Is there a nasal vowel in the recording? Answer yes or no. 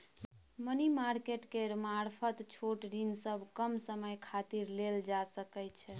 no